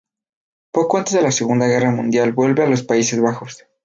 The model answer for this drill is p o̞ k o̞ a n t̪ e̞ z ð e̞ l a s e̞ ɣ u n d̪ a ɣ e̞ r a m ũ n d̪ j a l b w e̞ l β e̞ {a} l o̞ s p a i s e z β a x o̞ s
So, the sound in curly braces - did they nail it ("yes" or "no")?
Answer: yes